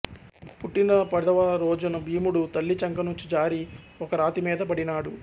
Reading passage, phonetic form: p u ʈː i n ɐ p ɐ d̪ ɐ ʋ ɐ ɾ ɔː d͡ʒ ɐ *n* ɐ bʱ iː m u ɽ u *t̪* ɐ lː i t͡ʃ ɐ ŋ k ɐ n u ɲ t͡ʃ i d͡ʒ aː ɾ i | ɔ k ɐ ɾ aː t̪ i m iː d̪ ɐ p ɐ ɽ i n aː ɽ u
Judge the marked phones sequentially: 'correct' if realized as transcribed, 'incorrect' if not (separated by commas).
correct, correct